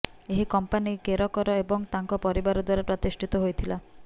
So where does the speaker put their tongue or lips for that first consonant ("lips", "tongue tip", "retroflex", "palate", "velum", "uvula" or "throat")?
throat